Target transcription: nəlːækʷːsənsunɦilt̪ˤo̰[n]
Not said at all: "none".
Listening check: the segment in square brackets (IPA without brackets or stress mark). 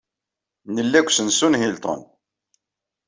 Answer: n